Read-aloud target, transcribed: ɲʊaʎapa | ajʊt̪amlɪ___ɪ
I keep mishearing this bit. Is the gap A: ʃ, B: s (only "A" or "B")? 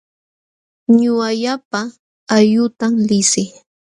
B